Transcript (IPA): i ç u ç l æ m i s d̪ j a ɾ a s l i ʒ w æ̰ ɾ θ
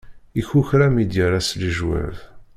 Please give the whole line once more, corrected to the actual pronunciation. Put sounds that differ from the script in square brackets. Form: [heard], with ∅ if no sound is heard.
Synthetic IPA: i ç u ç [ɾ] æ m i [∅] d̪ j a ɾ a s l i ʒ w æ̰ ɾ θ